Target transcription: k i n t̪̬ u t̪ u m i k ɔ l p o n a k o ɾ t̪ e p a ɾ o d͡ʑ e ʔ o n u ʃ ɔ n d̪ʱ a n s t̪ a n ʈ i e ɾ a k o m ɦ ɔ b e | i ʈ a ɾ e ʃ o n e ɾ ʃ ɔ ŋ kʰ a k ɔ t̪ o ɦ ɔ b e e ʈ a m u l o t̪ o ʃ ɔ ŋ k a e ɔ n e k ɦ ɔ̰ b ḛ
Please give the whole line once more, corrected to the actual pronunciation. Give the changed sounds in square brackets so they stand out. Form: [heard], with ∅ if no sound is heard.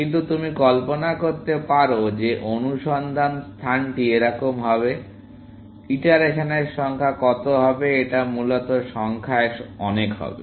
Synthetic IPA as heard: k i n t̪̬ u t̪ u m i k ɔ l p o n a k o ɾ t̪ e p a ɾ o d͡ʑ e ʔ o n u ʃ ɔ n d̪ʱ a n s [t̪ʰ] a n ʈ i e ɾ a k o m ɦ ɔ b e | i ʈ a ɾ e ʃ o n e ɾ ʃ ɔ ŋ kʰ a k ɔ t̪ o ɦ ɔ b e e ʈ a m u l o t̪ o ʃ ɔ ŋ [kʰ] a e ɔ n e k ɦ ɔ̰ b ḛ